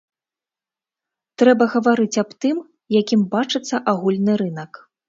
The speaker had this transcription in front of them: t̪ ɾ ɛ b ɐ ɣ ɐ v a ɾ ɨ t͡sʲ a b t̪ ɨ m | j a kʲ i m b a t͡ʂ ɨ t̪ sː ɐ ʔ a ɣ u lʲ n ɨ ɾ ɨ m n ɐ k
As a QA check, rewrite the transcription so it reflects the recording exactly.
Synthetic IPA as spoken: t̪ ɾ ɛ b ɐ ɣ ɐ v a ɾ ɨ t͡sʲ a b t̪ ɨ m | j a kʲ i m b a t͡ʂ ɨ t̪ sː ɐ ʔ a ɣ u lʲ n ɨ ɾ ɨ n ɐ k